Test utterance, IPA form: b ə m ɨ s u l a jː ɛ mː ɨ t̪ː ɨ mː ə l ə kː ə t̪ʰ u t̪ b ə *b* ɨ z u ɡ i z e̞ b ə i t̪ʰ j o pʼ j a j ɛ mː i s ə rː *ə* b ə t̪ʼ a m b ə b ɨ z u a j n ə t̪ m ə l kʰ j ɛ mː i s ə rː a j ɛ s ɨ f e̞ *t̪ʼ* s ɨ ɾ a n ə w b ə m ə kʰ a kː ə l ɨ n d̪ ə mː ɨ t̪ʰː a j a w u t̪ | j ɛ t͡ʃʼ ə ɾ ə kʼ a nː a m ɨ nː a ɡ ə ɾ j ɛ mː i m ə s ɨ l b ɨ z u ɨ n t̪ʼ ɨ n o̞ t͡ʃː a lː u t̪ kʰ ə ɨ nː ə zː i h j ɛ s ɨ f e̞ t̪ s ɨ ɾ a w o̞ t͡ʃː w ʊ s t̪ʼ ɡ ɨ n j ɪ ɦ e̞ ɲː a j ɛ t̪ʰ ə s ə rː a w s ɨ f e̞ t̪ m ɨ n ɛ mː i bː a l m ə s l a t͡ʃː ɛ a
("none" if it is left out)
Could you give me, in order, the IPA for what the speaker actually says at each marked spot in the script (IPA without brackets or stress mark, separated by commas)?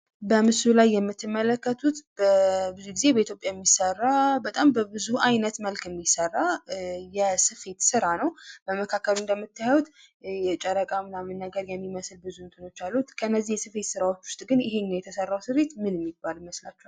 b, a, t̪